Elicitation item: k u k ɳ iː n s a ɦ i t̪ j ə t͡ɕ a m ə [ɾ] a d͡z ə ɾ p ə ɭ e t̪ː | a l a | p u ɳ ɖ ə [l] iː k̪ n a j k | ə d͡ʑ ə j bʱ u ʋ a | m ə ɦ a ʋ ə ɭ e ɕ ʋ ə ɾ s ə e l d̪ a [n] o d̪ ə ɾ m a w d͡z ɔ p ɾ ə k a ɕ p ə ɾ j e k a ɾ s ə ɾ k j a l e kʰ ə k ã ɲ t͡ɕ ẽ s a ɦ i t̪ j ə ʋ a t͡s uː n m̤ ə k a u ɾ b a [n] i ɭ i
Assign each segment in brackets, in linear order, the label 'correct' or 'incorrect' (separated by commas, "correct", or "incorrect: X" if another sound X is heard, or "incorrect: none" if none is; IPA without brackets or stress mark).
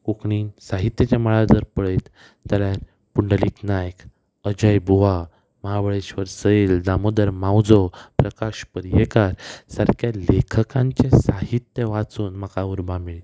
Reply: incorrect: ɭ, correct, incorrect: m, incorrect: m